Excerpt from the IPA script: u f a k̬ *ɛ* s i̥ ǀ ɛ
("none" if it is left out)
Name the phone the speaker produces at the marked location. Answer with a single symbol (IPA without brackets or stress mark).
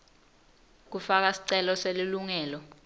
a